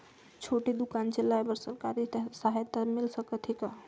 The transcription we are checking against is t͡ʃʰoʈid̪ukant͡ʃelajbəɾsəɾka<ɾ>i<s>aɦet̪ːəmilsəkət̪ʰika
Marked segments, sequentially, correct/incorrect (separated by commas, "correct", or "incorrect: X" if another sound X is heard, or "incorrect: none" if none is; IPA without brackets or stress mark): correct, correct